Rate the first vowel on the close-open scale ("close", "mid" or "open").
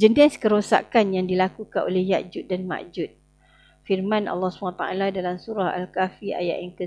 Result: mid